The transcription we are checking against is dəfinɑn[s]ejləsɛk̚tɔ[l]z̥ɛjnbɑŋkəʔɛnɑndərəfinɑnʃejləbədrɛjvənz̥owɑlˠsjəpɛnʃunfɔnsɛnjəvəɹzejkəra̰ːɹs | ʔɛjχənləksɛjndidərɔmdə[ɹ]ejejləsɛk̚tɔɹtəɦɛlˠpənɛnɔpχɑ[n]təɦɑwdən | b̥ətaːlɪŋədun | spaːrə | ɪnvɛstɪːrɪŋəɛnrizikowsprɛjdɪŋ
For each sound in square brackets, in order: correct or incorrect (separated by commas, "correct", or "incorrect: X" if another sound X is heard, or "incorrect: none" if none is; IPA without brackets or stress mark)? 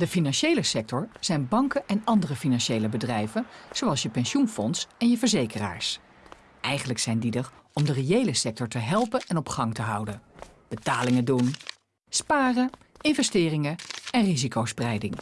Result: incorrect: ʃ, incorrect: ɹ, incorrect: r, incorrect: ŋ